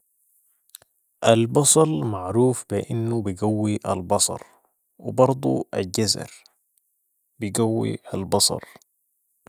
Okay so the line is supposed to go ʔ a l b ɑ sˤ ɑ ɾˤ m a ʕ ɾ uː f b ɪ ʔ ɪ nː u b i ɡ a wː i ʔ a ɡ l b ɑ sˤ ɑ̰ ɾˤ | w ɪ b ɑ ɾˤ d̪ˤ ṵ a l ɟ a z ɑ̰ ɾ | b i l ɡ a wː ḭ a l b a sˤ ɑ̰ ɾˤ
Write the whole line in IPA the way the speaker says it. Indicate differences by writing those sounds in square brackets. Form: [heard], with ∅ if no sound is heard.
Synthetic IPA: ʔ a l b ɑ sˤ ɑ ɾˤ m a ʕ ɾ uː f b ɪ ʔ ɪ nː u b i ɡ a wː i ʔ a [∅] l b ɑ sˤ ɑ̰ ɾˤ | w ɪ b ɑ ɾˤ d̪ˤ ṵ a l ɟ a z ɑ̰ ɾ | b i [∅] ɡ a wː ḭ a l b [ɑ] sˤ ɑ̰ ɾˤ